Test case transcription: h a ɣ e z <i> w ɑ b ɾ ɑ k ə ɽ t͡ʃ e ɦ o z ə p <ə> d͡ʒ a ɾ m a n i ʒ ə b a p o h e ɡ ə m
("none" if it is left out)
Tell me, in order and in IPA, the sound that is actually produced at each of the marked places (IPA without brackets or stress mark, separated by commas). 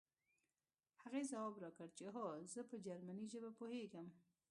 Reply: a, ə